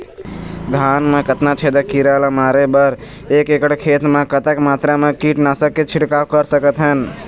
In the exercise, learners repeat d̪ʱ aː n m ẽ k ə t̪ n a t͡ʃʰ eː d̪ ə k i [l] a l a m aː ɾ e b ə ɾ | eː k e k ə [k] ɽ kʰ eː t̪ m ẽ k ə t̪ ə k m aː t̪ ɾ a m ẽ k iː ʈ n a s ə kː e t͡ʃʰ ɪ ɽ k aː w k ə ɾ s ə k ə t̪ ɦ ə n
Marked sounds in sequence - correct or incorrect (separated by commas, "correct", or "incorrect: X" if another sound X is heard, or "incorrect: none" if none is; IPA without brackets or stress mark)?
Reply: incorrect: ɾ, incorrect: none